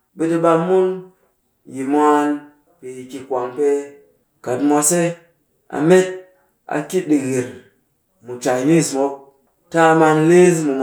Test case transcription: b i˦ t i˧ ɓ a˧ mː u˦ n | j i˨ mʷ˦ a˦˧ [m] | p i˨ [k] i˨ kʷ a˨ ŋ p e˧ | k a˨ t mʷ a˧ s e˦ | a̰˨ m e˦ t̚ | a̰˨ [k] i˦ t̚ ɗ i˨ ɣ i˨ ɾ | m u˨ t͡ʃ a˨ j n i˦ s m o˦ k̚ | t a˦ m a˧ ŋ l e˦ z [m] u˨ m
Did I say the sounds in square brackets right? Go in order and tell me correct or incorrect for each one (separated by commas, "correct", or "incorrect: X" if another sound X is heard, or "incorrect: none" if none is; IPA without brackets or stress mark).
incorrect: n, correct, correct, correct